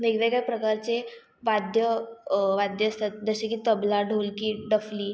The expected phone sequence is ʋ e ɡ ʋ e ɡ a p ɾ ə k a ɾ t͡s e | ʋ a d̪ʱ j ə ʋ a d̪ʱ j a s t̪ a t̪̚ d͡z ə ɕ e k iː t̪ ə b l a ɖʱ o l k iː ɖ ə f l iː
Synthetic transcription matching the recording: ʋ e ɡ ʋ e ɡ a p ɾ ə k a ɾ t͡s e | ʋ a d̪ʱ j ə ʋ a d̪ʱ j ə s t̪ a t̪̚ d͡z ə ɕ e k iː t̪ ə b l a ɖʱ o l k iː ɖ ə f l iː